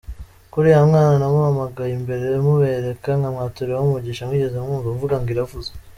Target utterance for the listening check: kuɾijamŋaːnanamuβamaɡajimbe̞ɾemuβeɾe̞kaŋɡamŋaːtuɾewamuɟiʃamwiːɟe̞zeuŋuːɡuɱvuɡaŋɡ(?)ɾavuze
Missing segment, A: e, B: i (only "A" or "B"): B